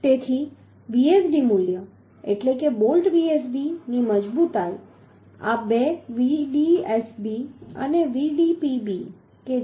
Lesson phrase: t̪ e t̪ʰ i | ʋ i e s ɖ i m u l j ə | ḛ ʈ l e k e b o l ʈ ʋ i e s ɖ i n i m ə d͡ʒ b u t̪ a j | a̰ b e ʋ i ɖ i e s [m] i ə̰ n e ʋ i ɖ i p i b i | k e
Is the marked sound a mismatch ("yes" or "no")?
yes